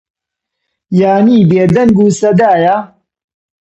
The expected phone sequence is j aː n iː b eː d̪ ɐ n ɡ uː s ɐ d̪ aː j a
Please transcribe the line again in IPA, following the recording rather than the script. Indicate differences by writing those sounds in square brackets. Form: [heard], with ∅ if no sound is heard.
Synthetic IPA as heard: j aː n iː b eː d̪ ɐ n ɡ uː s ɐ d̪ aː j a